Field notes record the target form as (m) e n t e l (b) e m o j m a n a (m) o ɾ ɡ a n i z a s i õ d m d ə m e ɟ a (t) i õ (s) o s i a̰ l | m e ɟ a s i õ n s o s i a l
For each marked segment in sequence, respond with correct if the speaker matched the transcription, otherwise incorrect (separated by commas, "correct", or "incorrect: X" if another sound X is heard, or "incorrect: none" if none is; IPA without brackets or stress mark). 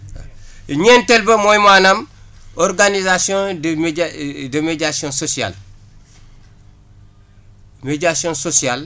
incorrect: ɲ, correct, correct, incorrect: s, correct